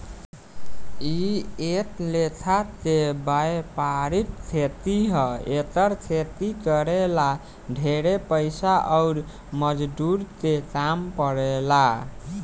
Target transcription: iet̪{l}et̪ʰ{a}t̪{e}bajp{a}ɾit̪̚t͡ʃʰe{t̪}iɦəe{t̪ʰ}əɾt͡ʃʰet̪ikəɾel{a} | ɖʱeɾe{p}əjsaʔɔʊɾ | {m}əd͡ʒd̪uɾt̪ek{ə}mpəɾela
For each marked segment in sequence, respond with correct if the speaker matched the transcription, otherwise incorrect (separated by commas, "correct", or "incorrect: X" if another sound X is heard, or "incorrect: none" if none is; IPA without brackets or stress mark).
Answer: correct, correct, correct, correct, correct, incorrect: t̪, correct, correct, correct, incorrect: a